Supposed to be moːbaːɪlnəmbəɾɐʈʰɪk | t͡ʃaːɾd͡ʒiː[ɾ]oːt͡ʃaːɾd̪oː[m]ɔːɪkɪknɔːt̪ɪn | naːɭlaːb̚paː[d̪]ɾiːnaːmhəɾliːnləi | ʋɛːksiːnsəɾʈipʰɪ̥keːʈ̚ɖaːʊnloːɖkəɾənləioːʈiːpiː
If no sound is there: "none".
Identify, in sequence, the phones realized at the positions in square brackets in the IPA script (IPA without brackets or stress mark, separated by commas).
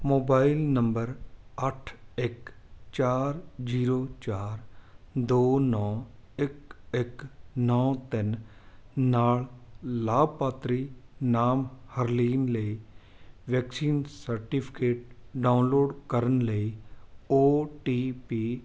ɾ, n, t̪